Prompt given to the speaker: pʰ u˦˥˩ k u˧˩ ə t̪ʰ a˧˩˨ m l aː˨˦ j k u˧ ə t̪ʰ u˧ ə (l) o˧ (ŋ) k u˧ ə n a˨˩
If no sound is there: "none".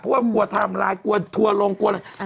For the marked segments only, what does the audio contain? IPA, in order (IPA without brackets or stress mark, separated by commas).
l, ŋ